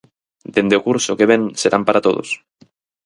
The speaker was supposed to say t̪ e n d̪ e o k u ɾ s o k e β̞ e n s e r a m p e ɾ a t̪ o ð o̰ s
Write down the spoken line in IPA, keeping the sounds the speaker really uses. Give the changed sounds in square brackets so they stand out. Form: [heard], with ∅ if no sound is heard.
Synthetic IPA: [d̪] e n d̪ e o k u ɾ s o k e β̞ e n s e [ɾ] a m p [a] ɾ a t̪ o ð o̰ s